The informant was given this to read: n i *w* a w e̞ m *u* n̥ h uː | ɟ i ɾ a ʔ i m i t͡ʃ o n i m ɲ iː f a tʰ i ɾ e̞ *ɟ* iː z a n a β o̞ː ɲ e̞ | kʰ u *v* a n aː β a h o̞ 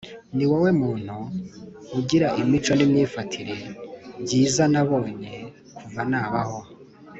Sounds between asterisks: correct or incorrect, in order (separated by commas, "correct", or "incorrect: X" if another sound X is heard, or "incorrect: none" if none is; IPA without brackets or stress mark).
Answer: correct, incorrect: uː, correct, correct